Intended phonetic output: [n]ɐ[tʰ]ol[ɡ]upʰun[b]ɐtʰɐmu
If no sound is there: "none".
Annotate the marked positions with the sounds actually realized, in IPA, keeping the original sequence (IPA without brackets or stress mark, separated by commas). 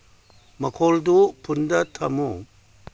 m, kʰ, d, d